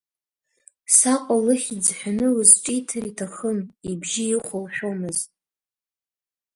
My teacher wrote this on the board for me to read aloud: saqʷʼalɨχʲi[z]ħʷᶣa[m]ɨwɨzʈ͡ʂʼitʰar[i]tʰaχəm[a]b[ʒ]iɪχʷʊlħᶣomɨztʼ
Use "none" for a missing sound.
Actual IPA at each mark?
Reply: d͡z, n, i, i, ʒ

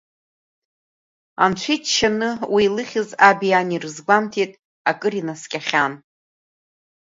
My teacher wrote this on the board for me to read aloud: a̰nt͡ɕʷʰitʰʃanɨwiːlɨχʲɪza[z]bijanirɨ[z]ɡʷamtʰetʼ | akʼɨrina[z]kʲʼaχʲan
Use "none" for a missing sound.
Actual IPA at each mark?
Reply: none, z, s

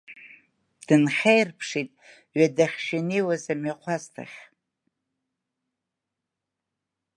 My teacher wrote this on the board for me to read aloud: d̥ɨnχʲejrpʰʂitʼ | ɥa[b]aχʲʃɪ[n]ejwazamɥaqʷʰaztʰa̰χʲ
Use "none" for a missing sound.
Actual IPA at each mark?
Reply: d, n

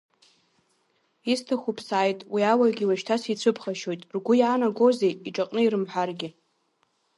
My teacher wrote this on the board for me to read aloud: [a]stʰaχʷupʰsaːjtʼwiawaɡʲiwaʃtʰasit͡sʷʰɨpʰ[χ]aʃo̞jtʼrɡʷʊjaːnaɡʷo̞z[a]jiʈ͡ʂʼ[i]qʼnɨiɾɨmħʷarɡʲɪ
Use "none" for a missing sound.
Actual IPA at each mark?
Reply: i, χ, e, a

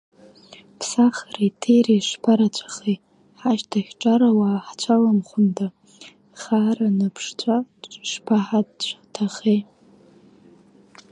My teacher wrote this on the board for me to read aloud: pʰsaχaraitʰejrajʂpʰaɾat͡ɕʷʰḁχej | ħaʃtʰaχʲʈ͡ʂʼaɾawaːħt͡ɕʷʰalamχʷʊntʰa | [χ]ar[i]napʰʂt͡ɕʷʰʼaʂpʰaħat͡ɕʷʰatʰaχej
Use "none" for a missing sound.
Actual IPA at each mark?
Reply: χ, a

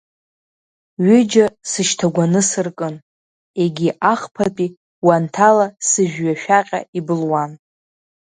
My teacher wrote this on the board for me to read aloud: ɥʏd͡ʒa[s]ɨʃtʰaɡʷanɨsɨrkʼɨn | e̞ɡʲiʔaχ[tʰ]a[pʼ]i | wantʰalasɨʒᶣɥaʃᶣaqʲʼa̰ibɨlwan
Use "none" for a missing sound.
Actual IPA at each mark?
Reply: s, pʰ, pʼ

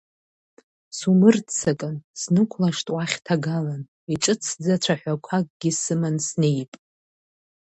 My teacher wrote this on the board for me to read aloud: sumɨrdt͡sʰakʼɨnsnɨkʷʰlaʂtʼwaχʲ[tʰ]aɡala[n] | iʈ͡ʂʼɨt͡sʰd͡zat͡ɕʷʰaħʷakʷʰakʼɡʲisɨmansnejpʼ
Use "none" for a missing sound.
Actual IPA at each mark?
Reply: tʰ, n

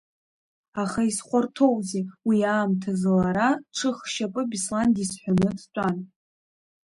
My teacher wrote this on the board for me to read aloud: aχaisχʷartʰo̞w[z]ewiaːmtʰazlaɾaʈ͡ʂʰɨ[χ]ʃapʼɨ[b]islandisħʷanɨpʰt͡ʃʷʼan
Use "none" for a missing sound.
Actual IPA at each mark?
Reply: z, χ, b

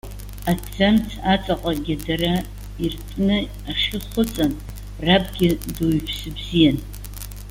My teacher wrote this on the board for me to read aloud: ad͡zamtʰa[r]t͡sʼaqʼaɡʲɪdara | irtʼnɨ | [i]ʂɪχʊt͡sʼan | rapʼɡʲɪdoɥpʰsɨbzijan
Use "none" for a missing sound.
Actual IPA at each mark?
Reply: none, a

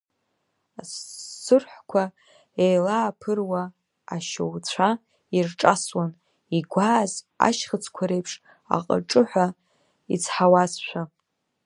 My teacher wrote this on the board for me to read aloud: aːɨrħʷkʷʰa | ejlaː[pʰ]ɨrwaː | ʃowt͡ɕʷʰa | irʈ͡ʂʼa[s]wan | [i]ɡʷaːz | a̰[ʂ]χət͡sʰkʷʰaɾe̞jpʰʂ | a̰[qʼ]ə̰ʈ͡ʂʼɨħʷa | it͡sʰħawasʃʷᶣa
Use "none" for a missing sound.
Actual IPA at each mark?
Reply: pʰ, s, i, ʃ, qʼ

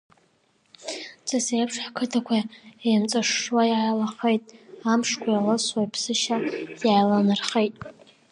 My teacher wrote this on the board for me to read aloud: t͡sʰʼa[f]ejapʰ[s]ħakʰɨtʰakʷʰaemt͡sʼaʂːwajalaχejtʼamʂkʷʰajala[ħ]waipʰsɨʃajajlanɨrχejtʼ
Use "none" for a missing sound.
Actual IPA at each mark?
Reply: s, ʂ, s

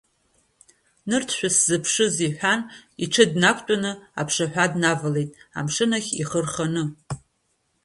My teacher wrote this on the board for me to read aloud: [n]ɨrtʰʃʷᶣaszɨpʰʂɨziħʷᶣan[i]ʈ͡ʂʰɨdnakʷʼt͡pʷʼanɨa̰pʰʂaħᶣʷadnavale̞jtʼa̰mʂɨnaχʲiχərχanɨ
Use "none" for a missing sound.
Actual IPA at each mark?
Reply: n, i

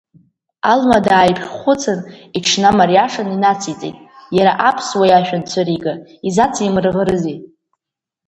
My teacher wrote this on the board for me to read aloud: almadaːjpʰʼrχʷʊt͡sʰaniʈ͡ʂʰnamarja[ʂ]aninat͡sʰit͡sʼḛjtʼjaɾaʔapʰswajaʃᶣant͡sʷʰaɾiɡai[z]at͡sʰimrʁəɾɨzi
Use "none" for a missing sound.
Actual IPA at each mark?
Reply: ʂ, z

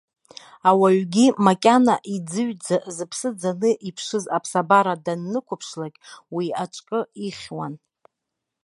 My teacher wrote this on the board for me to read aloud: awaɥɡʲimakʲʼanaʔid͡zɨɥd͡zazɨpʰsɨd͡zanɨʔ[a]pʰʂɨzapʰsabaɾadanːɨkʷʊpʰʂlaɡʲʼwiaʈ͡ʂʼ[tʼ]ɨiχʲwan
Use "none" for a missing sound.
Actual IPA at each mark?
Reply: i, kʼ

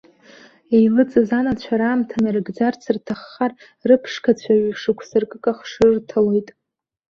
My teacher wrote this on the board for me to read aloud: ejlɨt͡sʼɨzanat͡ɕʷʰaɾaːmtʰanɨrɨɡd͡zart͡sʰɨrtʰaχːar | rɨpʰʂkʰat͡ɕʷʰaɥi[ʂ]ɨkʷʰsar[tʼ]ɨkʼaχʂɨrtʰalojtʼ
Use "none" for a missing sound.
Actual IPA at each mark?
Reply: ʂ, kʼ

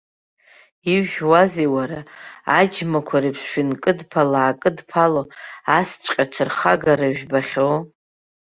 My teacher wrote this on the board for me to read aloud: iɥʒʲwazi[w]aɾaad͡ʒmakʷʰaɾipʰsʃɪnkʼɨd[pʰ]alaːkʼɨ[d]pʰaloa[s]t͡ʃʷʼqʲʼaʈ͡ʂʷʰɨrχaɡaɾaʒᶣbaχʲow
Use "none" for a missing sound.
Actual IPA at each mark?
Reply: w, pʰ, d, s

